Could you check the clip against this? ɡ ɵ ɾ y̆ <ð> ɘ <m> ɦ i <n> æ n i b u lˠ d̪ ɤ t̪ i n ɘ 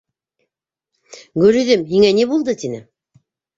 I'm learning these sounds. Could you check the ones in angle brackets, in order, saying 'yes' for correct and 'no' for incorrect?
yes, yes, no

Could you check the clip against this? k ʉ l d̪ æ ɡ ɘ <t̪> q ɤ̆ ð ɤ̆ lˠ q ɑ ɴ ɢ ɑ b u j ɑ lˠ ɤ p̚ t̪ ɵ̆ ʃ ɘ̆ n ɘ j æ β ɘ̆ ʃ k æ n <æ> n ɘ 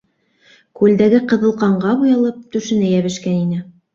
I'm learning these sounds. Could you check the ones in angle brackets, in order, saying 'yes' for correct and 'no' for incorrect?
no, no

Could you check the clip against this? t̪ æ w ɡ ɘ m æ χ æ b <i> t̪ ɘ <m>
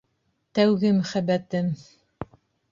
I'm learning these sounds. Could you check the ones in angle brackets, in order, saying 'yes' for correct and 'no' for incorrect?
no, yes

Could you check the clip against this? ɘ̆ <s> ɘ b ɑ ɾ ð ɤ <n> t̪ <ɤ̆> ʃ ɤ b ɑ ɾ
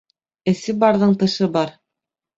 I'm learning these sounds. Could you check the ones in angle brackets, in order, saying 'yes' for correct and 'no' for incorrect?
yes, no, yes

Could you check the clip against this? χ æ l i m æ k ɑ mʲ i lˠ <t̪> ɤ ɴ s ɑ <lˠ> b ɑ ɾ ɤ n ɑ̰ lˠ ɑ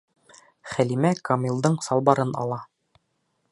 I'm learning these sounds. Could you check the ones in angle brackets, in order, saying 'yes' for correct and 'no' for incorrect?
no, yes

